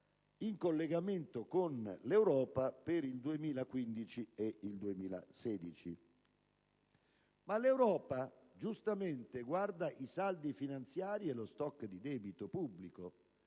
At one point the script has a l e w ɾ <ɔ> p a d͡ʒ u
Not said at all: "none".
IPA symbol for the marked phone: ɔː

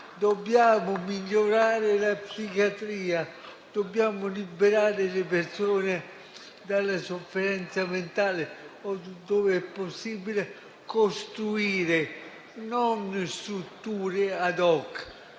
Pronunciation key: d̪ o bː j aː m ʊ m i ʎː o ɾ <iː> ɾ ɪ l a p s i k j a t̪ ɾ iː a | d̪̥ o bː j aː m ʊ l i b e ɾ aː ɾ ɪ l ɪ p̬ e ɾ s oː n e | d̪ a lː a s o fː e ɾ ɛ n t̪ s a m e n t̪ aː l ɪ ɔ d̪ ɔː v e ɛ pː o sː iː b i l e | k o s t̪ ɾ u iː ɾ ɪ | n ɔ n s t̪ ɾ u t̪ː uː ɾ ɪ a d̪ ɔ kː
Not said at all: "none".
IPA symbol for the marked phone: aː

